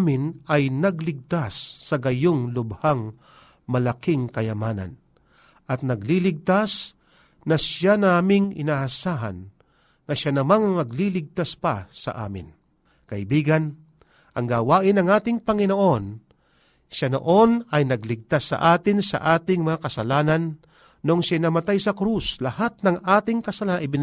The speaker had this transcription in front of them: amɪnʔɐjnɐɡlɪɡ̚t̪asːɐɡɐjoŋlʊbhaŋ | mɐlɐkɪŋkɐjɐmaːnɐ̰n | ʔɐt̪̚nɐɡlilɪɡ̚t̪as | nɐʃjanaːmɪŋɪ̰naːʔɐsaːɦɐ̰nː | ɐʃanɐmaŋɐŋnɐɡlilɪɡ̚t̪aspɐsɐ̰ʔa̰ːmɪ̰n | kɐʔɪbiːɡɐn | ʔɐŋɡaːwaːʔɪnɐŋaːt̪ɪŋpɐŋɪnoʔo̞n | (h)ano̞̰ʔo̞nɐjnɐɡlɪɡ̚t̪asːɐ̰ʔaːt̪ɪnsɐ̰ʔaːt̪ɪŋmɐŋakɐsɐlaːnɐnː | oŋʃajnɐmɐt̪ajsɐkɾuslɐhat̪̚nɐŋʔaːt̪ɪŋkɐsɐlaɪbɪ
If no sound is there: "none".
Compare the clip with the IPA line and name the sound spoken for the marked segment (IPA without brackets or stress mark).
ʃ